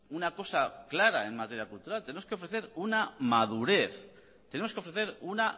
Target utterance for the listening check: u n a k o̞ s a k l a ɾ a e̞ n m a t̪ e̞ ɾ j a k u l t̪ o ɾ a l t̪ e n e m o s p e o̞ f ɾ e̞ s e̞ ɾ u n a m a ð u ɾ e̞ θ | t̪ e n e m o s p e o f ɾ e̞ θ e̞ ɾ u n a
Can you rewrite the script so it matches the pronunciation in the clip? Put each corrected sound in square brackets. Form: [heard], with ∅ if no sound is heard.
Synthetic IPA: u n a k o̞ s a k l a ɾ a e̞ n m a t̪ e̞ ɾ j a k u l t̪ [u] ɾ a l t̪ e n e m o s [k] e o̞ f ɾ e̞ [θ] e̞ ɾ u n a m a ð u ɾ e̞ θ | t̪ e n e m o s [k] e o f ɾ e̞ θ e̞ ɾ u n a